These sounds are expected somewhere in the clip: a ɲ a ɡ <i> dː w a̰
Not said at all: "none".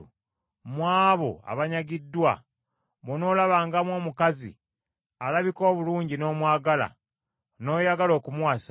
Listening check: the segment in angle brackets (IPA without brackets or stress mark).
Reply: i